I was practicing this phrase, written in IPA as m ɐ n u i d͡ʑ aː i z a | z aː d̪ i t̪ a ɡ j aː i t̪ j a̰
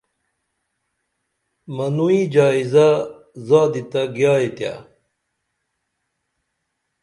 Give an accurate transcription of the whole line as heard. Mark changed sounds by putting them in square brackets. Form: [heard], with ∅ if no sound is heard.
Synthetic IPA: m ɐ n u i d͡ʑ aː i z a | z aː d̪ i t̪ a ɡ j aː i t̪ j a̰